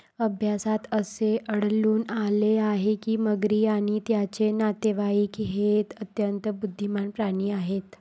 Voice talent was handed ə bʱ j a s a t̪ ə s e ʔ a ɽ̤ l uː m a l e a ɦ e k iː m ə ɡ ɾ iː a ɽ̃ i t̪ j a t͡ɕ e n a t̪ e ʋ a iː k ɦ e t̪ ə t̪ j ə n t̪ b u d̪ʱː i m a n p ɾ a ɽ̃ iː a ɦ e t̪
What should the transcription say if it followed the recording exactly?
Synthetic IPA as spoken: ə bʱ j a s a t̪ ə s e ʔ ə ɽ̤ l uː n a l e a ɦ e k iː m ə ɡ ɾ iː a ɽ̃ i t̪ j a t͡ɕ e n a t̪ e ʋ a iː k ɦ e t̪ ə t̪ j ə n t̪ b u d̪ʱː i m a n p ɾ a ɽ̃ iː a ɦ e t̪